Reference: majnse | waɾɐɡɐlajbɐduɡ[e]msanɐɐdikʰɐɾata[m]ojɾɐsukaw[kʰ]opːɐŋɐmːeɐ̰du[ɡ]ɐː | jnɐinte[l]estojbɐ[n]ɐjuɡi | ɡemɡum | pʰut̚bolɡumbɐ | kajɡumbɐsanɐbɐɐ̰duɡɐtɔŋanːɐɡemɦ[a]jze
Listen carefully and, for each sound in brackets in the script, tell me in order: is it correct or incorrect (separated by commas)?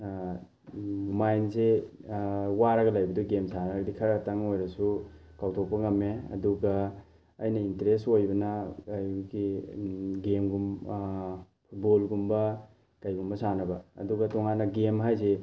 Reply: correct, incorrect, incorrect, correct, incorrect, correct, correct